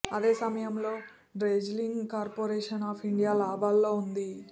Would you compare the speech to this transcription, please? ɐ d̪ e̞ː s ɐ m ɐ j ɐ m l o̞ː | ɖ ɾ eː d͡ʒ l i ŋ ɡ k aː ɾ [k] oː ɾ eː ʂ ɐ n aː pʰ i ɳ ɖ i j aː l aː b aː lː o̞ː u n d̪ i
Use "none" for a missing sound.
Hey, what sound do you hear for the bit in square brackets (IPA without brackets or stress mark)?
p